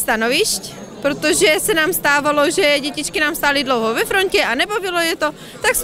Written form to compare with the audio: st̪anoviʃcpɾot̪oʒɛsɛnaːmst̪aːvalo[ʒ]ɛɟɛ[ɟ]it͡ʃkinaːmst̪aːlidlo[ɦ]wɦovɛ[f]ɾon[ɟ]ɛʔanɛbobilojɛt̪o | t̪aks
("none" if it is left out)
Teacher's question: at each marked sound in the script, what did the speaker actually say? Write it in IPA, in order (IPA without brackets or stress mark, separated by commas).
ʒ, c, none, f, c